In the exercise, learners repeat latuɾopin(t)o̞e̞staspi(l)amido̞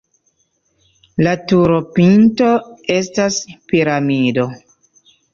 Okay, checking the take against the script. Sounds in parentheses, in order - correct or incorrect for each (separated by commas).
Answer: correct, incorrect